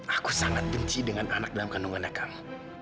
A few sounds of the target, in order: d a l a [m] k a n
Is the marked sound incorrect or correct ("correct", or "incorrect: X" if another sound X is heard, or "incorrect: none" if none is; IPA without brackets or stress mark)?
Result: correct